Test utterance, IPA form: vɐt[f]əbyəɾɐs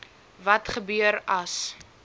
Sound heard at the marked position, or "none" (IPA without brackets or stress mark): χ